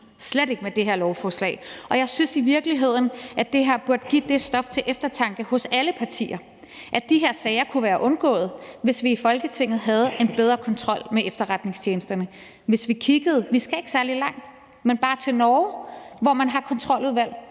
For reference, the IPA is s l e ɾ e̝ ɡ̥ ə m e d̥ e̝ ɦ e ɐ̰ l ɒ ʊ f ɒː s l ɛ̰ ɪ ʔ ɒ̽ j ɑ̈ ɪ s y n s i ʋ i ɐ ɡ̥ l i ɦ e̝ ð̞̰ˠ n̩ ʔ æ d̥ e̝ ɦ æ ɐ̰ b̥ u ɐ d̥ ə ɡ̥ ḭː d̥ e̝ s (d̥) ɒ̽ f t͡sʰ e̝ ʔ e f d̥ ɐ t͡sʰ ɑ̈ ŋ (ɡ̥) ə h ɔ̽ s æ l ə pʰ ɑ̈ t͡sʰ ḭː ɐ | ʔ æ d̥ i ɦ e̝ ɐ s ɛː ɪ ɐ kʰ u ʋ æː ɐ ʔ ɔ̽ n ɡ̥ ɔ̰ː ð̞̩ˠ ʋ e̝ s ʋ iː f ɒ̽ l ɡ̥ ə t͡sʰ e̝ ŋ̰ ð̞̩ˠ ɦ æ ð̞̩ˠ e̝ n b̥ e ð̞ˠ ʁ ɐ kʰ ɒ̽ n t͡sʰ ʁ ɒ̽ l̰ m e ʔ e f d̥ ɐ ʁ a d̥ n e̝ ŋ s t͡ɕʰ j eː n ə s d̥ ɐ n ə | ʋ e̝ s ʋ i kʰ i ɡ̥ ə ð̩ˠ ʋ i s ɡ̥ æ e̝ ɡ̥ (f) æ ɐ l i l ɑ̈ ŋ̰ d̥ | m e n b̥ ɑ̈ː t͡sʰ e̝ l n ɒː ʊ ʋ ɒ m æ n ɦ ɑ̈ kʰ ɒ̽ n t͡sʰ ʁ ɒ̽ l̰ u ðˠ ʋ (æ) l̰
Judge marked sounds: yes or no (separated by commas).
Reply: yes, yes, no, yes